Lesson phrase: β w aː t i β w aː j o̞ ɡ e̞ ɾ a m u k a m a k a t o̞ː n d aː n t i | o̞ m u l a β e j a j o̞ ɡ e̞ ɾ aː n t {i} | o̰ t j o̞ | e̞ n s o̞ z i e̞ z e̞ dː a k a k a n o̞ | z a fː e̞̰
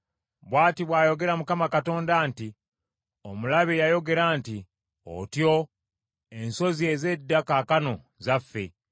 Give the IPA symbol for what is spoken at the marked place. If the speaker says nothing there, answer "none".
i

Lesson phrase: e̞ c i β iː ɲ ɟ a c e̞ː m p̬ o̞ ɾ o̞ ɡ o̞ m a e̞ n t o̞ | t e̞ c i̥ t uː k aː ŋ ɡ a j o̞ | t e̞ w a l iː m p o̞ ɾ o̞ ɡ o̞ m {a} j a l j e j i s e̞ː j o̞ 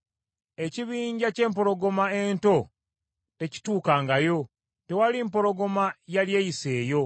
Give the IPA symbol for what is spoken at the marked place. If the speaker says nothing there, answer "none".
a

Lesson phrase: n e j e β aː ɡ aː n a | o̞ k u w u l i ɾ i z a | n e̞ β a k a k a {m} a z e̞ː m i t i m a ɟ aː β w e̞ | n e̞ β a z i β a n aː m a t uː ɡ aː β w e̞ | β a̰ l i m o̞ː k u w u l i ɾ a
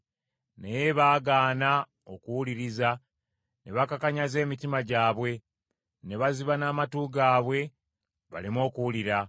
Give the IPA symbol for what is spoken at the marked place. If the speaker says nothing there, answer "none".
ɲ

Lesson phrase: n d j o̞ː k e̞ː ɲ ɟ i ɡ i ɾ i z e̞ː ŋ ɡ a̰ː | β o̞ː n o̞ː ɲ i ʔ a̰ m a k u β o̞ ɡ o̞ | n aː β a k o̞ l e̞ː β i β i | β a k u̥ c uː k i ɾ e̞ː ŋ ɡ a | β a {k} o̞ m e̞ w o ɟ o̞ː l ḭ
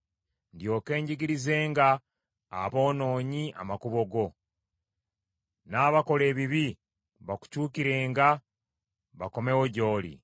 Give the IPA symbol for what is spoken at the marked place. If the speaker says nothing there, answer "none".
k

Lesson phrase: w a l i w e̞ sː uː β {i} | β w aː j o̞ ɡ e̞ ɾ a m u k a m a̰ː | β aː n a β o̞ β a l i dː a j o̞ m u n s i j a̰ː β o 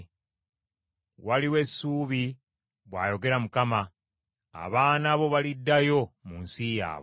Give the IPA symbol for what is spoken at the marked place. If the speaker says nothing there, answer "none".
i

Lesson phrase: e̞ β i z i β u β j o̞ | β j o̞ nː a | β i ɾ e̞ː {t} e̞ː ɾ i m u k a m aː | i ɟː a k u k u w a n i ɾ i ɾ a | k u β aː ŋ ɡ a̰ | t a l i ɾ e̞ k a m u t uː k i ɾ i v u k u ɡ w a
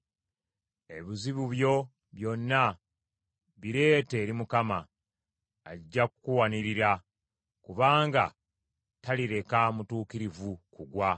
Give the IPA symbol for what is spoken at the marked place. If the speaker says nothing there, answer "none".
t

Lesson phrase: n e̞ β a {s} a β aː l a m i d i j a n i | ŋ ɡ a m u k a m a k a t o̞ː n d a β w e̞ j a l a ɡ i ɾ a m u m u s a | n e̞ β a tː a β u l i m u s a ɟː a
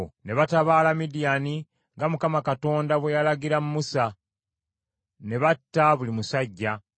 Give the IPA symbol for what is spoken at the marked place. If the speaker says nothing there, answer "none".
t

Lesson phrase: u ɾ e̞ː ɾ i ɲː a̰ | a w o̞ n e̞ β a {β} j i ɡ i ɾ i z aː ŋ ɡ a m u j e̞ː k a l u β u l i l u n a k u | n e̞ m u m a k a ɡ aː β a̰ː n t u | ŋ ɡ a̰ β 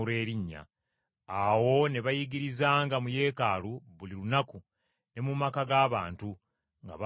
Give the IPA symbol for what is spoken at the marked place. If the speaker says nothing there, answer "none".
none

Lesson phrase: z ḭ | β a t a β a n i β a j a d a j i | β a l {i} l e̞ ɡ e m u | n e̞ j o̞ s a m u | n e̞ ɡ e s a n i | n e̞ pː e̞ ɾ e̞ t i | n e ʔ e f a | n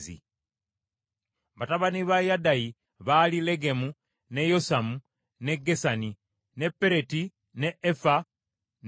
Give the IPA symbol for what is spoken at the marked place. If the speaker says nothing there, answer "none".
i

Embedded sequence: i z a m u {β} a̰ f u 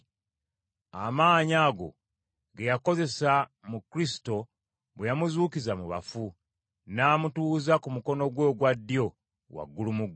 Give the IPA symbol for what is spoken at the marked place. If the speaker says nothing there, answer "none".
β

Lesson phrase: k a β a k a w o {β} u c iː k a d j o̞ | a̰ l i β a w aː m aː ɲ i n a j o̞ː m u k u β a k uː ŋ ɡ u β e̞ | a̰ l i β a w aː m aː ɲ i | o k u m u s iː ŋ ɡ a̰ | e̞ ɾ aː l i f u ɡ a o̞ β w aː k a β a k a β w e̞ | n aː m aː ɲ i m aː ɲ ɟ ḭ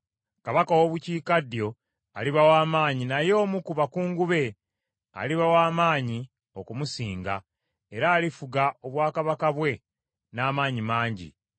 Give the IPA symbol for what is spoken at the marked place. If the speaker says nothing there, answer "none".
β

